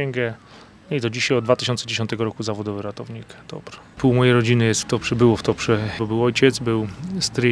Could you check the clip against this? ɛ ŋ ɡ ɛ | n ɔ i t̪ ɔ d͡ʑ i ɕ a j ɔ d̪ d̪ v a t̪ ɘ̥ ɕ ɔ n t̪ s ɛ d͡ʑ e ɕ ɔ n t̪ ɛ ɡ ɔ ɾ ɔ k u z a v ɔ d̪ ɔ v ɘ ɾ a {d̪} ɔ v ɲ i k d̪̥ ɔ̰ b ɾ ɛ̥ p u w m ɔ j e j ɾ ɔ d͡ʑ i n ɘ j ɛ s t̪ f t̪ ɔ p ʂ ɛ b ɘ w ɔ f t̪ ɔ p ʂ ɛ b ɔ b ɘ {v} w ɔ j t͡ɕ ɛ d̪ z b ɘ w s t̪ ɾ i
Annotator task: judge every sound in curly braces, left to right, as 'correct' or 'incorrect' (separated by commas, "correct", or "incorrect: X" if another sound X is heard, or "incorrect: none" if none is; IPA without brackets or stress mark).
incorrect: t̪, incorrect: none